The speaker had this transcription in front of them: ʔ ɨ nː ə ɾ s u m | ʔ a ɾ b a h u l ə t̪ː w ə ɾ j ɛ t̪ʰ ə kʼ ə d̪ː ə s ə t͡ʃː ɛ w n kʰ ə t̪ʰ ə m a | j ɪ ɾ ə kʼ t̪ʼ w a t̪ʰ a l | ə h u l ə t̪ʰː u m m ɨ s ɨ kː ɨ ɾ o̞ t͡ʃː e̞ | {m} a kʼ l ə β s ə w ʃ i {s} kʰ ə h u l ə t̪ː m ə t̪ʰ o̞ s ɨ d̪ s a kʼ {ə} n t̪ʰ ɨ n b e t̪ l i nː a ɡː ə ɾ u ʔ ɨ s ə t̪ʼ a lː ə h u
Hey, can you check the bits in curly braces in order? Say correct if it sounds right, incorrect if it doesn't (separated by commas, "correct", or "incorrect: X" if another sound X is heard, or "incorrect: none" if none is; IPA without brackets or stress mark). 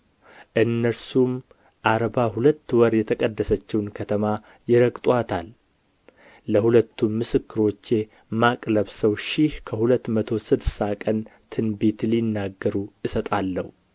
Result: correct, incorrect: h, correct